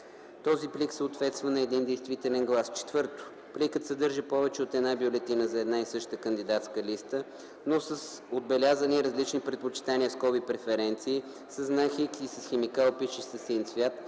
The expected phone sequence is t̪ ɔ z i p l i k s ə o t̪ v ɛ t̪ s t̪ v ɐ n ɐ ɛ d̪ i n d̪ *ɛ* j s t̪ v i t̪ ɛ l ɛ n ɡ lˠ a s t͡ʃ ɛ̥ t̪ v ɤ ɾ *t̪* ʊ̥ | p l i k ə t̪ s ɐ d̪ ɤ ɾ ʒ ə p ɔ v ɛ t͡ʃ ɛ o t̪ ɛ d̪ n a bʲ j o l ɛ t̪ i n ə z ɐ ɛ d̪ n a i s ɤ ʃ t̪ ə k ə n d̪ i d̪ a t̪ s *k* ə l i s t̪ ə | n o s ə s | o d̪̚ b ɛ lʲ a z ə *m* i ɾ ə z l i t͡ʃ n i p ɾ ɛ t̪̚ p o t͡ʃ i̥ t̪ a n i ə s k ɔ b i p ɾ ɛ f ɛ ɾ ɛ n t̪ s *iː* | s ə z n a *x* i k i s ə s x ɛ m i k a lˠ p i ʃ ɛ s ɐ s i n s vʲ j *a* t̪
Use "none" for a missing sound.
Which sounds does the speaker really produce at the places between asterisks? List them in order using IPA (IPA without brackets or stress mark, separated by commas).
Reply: ɛ, t̪, k, n, iː, x, a